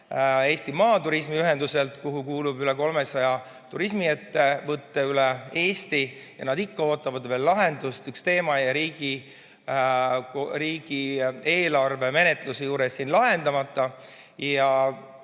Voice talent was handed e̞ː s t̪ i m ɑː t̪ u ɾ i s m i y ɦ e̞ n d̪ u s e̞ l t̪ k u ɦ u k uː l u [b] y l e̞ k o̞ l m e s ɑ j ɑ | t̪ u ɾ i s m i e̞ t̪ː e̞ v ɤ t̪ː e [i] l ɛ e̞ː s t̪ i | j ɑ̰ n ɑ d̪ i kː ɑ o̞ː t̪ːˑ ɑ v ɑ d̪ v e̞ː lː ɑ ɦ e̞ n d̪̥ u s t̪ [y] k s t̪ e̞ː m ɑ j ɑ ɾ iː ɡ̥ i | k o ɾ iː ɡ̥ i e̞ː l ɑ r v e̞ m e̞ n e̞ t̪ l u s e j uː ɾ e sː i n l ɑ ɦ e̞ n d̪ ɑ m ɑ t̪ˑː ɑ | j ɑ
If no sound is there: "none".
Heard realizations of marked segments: b, y, y

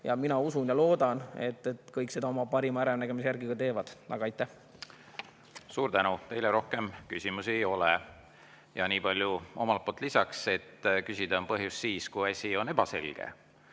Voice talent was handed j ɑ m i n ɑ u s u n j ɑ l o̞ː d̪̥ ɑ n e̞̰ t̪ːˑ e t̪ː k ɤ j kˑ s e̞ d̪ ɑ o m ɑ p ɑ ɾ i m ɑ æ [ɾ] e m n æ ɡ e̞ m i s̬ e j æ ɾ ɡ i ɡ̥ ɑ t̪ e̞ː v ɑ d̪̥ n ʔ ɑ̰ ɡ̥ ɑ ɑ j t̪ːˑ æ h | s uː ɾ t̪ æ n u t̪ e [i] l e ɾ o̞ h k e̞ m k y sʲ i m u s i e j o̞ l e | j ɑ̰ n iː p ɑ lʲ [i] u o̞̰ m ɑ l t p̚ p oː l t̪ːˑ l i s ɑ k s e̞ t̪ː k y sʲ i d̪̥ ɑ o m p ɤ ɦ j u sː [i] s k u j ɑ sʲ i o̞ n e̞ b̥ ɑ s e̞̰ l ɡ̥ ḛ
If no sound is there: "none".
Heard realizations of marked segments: ɾ, j, j, iː

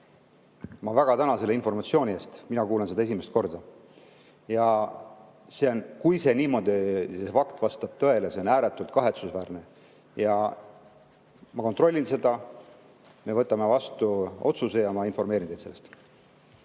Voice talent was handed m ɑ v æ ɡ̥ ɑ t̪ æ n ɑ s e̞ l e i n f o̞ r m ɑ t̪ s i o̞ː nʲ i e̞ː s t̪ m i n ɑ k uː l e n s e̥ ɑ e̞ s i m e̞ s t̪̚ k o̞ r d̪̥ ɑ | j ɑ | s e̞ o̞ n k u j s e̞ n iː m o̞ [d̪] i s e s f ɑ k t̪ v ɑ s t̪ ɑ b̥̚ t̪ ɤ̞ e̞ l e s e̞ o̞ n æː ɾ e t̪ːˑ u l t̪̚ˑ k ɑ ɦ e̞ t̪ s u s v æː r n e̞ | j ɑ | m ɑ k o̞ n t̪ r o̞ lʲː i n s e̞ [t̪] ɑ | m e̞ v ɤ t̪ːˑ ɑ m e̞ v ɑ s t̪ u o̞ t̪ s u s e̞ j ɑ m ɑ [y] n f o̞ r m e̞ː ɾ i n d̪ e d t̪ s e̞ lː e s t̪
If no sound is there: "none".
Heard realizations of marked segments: d̪, d̪, i

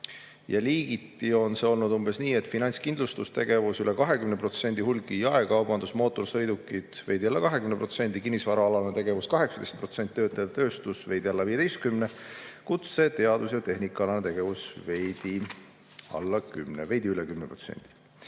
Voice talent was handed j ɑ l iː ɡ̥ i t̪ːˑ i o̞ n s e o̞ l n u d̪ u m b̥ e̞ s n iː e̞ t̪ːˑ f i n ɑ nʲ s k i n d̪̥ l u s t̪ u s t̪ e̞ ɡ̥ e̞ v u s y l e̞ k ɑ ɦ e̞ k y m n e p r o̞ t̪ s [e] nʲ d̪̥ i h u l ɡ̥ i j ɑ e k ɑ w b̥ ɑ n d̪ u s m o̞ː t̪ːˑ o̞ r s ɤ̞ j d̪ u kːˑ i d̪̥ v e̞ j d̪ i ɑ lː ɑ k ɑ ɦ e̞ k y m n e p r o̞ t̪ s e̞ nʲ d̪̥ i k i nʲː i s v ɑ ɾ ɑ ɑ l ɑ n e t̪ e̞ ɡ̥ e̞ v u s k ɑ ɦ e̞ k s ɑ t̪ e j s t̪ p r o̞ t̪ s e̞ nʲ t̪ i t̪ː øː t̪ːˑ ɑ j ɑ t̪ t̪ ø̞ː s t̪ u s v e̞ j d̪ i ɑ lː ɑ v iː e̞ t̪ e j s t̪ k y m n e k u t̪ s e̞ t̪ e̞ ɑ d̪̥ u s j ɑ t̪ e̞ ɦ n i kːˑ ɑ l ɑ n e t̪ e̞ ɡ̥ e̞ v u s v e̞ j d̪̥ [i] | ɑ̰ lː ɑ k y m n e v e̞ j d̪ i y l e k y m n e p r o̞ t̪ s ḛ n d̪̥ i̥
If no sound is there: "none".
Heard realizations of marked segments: e, i

